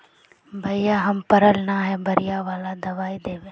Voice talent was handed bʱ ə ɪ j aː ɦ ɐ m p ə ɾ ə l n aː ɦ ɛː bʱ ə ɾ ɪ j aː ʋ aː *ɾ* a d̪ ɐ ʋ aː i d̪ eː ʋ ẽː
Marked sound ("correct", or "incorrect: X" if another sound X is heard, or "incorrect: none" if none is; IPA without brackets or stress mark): incorrect: l